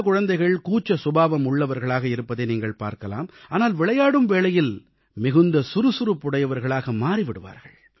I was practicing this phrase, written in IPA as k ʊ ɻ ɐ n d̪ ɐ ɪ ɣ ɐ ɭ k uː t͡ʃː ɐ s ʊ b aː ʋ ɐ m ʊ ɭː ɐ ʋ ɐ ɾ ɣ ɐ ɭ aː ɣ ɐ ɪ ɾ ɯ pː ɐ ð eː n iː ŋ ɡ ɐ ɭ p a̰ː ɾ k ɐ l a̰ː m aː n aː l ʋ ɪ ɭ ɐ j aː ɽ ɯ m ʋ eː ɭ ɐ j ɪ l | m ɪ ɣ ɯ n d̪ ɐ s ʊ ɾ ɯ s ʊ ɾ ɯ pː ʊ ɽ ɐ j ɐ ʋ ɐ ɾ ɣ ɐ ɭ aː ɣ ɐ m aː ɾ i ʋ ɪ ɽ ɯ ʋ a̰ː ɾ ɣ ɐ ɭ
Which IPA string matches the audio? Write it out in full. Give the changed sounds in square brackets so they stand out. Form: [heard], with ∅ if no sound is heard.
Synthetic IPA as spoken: k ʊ ɻ ɐ n d̪ ɐ ɪ ɣ ɐ ɭ k uː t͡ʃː ɐ s ʊ b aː ʋ ɐ m ʊ ɭː ɐ ʋ ɐ ɾ ɣ ɐ ɭ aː ɣ ɐ ɪ ɾ ɯ pː ɐ ð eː n iː ŋ ɡ ɐ ɭ p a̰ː ɾ k ɐ l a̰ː m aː n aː l ʋ ɪ ɭ ɐ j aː ɽ ɯ m ʋ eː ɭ ɐ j ɪ l | m ɪ ɣ ɯ n d̪ ɐ s ʊ ɾ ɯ s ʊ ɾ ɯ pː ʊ ɽ ɐ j ɐ ʋ ɐ ɾ ɣ ɐ ɭ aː ɣ ɐ m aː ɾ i ʋ ɪ ɽ ɯ ʋ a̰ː ɾ ɣ ɐ ɭ

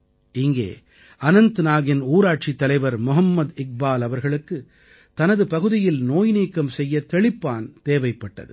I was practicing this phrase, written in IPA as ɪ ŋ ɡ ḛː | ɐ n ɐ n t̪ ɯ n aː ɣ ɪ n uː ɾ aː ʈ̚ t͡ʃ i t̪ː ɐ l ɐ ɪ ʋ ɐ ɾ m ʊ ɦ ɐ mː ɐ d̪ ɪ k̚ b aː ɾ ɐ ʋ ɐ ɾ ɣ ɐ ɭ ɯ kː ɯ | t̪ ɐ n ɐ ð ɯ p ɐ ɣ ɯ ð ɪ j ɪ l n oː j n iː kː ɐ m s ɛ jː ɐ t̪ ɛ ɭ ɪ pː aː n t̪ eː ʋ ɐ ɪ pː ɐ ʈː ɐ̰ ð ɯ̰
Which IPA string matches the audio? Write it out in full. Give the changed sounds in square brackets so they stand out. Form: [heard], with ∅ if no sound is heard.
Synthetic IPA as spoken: ɪ ŋ ɡ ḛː | ɐ n ɐ n t̪ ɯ n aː ɣ ɪ n uː ɾ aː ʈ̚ t͡ʃ i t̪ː ɐ l ɐ ɪ ʋ ɐ ɾ m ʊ ɦ ɐ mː ɐ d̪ ɪ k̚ b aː [l] ɐ ʋ ɐ ɾ ɣ ɐ ɭ ɯ kː ɯ | t̪ ɐ n ɐ ð ɯ p ɐ ɣ ɯ ð ɪ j ɪ l n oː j n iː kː ɐ m s ɛ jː ɐ t̪ ɛ ɭ ɪ pː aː n t̪ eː ʋ ɐ ɪ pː ɐ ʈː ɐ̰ ð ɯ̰

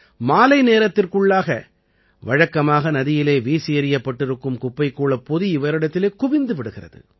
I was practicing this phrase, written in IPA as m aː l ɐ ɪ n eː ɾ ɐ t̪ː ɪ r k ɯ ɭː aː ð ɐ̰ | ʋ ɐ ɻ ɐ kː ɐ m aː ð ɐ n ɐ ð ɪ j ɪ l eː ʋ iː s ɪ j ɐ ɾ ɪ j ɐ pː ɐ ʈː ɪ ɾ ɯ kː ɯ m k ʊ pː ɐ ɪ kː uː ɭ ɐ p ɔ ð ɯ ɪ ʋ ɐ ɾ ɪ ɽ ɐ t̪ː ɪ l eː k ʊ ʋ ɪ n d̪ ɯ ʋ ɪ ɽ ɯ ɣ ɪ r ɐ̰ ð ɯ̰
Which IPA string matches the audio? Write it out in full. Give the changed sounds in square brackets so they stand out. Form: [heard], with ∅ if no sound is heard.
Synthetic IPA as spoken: m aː l ɐ ɪ n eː ɾ ɐ t̪ː ɪ r k ɯ ɭː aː [ɣ] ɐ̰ | ʋ ɐ ɻ ɐ kː ɐ m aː [ɣ] ɐ n ɐ ð ɪ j ɪ l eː ʋ iː s ɪ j ɐ ɾ ɪ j ɐ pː ɐ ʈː ɪ ɾ ɯ kː ɯ m k ʊ pː ɐ ɪ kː uː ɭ ɐ p ɔ ð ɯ ɪ ʋ ɐ ɾ ɪ ɽ ɐ t̪ː ɪ l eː k ʊ ʋ ɪ n d̪ ɯ ʋ ɪ ɽ ɯ ɣ ɪ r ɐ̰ ð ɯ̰

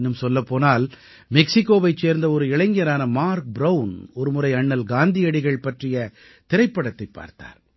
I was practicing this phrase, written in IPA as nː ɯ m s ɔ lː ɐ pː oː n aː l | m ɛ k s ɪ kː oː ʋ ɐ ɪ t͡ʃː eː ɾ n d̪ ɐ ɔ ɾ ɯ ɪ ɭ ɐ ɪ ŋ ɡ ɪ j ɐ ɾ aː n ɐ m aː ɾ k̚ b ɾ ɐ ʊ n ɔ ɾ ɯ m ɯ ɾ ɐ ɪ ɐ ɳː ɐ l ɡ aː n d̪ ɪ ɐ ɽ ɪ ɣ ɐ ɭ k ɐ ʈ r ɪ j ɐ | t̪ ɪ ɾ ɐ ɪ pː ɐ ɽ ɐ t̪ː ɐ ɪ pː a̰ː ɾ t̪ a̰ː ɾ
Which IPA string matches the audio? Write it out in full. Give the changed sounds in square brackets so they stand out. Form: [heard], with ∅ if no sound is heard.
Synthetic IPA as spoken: nː ɯ m s ɔ lː ɐ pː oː n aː l | m ɛ k s ɪ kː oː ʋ ɐ ɪ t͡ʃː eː ɾ n d̪ ɐ ɔ ɾ ɯ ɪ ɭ ɐ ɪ ŋ ɡ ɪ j ɐ ɾ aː n ɐ m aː ɾ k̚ b ɾ ɐ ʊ n ɔ ɾ ɯ m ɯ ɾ ɐ ɪ ɐ ɳː ɐ l ɡ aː n d̪ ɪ ɐ ɽ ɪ ɣ ɐ ɭ [p] ɐ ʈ r ɪ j ɐ | t̪ ɪ ɾ ɐ ɪ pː ɐ ɽ ɐ t̪ː ɐ ɪ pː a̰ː ɾ t̪ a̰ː ɾ

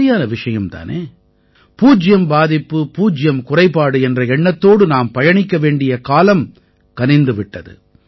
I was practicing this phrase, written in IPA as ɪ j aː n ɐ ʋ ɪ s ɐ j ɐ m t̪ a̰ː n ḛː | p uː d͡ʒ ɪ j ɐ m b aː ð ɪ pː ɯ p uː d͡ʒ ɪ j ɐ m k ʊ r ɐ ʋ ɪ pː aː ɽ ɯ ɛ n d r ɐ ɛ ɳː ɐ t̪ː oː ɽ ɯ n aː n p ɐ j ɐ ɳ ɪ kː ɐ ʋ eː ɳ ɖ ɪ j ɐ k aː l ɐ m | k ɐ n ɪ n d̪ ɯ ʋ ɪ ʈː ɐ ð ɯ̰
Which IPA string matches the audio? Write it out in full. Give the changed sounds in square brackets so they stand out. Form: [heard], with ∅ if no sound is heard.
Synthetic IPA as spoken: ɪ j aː n ɐ ʋ ɪ [ʂ] ɐ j ɐ m t̪ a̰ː n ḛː | p uː d͡ʒ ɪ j ɐ m b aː ð ɪ pː ɯ p uː d͡ʒ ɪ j ɐ m k ʊ r ɐ [∅] ɪ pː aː ɽ ɯ ɛ n d r ɐ ɛ ɳː ɐ t̪ː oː ɽ ɯ n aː [m] p ɐ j ɐ ɳ ɪ kː ɐ ʋ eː ɳ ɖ ɪ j ɐ k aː l ɐ m | k ɐ n ɪ n d̪ ɯ ʋ ɪ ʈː ɐ ð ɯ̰

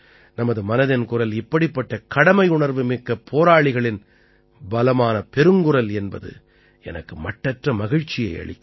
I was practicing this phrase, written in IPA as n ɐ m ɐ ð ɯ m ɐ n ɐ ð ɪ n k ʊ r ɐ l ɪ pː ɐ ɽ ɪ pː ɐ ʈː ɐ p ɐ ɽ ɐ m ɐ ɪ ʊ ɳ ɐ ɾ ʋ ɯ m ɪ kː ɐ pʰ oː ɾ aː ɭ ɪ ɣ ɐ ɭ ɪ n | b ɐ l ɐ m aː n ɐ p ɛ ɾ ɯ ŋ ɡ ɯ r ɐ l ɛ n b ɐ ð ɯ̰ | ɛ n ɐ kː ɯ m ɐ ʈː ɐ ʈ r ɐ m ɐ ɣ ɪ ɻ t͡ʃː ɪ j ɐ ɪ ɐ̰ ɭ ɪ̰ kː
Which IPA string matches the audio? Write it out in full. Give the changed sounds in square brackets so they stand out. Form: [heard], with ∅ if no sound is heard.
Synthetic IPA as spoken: n ɐ m ɐ ð ɯ m ɐ n ɐ ð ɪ n k ʊ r ɐ l ɪ pː ɐ ɽ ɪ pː ɐ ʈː ɐ [k] ɐ ɽ ɐ m ɐ ɪ ʊ ɳ ɐ ɾ ʋ ɯ m ɪ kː ɐ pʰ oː ɾ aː ɭ ɪ ɣ ɐ ɭ ɪ n | b ɐ l ɐ m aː n ɐ p ɛ ɾ ɯ ŋ ɡ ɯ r ɐ l ɛ n b ɐ ð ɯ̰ | ɛ n ɐ kː ɯ m ɐ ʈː ɐ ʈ r ɐ m ɐ ɣ ɪ ɻ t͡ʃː ɪ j ɐ ɪ ɐ̰ ɭ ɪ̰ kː

